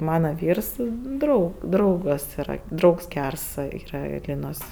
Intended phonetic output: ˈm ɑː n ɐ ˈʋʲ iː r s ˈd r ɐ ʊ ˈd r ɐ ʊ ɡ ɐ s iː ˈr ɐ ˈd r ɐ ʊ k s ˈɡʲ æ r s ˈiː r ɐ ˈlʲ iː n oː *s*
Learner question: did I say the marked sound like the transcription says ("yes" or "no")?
yes